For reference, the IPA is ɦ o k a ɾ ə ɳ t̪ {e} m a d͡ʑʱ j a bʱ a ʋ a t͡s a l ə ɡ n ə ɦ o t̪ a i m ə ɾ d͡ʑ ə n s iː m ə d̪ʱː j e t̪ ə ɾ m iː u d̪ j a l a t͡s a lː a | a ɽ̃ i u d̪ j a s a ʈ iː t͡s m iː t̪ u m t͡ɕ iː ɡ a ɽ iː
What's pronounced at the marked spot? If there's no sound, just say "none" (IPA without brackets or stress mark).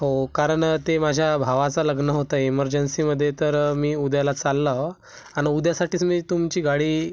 e